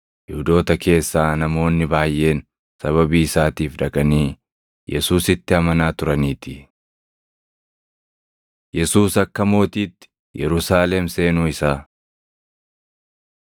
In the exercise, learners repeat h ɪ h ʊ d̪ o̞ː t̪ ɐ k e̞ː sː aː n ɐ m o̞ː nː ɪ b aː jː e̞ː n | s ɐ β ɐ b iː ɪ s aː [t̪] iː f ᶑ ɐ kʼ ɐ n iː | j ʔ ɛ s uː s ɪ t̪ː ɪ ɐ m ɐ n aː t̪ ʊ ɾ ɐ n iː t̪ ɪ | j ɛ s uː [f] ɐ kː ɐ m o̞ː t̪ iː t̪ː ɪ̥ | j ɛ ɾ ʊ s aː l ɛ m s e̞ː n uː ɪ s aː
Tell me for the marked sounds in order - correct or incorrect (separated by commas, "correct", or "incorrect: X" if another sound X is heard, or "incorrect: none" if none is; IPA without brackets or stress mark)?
correct, incorrect: s